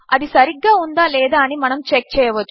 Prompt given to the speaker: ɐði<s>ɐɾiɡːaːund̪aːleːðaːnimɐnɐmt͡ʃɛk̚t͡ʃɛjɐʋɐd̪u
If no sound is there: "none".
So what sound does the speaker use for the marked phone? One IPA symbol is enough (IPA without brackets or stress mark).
s